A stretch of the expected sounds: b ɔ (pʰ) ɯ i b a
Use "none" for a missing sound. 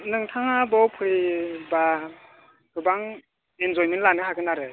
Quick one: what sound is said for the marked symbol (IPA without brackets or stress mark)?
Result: pʰ